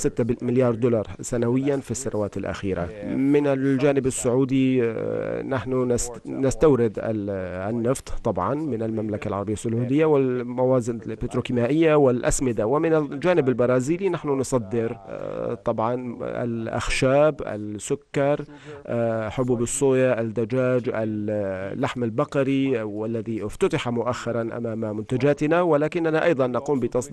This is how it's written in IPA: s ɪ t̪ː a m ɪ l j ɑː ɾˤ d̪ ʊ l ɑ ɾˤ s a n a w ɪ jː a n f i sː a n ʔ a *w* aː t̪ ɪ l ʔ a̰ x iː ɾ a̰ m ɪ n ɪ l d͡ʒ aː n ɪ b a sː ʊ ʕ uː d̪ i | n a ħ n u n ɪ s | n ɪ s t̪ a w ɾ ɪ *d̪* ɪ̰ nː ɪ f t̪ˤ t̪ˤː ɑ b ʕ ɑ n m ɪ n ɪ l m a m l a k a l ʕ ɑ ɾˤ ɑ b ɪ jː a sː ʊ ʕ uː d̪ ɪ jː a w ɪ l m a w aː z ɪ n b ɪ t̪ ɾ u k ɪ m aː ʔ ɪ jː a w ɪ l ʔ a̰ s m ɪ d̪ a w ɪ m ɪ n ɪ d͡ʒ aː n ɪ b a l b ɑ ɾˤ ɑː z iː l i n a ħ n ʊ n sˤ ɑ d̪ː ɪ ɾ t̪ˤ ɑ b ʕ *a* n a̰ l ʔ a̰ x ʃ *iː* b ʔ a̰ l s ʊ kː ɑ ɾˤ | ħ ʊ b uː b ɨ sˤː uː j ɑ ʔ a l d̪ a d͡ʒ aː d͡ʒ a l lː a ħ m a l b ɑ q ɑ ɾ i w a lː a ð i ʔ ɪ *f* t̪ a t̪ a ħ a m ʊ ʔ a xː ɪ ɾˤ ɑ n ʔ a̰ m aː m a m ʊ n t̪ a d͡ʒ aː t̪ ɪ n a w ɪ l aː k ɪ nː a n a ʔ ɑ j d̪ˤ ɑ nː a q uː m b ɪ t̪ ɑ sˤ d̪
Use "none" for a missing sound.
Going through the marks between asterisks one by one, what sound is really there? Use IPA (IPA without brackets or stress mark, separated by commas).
w, d̪, ɑ, aː, f